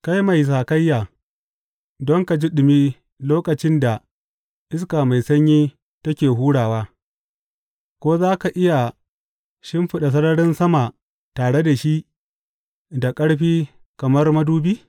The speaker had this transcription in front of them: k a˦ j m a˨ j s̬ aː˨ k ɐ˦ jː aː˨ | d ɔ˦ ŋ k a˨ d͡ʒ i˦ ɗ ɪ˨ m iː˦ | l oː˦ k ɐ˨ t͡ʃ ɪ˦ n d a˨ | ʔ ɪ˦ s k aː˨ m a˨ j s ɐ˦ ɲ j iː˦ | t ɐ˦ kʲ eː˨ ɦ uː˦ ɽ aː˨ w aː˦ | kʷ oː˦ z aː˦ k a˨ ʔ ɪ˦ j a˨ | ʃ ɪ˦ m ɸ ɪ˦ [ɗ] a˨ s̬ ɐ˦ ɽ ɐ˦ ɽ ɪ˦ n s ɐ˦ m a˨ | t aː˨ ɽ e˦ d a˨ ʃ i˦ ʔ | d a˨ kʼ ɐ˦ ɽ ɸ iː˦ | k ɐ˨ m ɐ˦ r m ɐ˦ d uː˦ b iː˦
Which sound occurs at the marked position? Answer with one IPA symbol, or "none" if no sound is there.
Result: ɗ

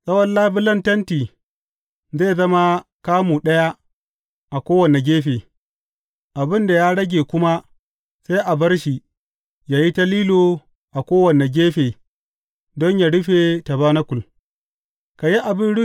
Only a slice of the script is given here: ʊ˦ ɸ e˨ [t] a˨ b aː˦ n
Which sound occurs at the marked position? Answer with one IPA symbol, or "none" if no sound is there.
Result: t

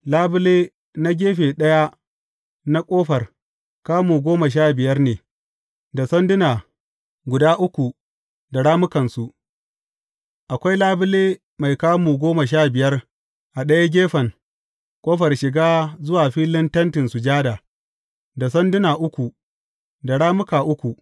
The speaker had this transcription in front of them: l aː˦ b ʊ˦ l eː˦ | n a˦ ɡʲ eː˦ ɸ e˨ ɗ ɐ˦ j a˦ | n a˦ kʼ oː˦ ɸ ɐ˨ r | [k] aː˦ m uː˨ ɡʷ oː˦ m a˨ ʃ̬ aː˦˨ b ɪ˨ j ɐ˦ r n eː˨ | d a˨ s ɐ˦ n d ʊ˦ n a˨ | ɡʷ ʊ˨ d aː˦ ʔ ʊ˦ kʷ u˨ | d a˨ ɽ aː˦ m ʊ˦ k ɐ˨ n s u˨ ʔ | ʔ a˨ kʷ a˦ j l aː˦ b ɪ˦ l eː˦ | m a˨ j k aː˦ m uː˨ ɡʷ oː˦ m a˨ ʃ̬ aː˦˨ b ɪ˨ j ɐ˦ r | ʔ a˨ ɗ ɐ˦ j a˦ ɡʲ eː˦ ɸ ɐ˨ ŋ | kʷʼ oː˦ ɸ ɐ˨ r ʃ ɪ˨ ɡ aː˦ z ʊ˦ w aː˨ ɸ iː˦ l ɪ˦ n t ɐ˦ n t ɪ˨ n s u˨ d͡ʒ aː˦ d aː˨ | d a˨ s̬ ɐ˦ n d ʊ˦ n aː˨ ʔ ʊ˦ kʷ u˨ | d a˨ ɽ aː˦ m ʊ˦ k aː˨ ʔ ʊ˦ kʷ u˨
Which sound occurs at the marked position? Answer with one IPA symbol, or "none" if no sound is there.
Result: k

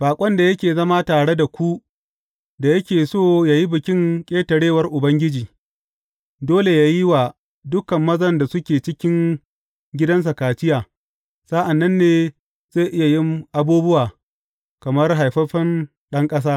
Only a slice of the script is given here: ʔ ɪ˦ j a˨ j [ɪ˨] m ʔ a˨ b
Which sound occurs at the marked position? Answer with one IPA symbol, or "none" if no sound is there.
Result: ɪ˦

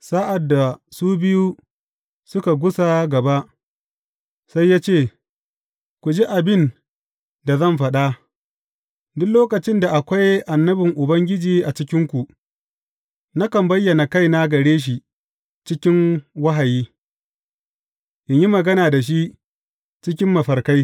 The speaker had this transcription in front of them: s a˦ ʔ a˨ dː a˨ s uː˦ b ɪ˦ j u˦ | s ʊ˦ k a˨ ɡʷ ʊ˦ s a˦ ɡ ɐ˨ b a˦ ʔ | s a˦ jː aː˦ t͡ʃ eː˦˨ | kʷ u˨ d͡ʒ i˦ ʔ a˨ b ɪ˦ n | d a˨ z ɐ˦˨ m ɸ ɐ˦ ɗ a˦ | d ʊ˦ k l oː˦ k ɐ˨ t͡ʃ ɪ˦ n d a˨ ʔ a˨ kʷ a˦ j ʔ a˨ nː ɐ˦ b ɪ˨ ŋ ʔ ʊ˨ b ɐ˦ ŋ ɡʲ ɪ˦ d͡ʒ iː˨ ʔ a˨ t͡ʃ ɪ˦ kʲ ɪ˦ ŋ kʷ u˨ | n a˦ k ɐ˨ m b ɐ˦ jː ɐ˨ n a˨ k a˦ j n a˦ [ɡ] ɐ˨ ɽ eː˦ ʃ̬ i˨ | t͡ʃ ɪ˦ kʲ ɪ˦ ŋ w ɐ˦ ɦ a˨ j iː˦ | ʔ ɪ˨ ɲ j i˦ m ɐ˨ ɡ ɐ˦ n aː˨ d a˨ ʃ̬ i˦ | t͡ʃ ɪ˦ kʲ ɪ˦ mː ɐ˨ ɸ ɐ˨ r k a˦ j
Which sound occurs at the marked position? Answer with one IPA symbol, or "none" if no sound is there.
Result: ɡ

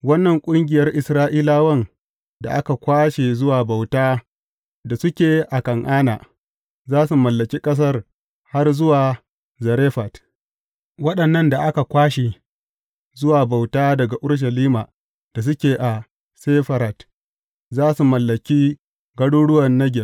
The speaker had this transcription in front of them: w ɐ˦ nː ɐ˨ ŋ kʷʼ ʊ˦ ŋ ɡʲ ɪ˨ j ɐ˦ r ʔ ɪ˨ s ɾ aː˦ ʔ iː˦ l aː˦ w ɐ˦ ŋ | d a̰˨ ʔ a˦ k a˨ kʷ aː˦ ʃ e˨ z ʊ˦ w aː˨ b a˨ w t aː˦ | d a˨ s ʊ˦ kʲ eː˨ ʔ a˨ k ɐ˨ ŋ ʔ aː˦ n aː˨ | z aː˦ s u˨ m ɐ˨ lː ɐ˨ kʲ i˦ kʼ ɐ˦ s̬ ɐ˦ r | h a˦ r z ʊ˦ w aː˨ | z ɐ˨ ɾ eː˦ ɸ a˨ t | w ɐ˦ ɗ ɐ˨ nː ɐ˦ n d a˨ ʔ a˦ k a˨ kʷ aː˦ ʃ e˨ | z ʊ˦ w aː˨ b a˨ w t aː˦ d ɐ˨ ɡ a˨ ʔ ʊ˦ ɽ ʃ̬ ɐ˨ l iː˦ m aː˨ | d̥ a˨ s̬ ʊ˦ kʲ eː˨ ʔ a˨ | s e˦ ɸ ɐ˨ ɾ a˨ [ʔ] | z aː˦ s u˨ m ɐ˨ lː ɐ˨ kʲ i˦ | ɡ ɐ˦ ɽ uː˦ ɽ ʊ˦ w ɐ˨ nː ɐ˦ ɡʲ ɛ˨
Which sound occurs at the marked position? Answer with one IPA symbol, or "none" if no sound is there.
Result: t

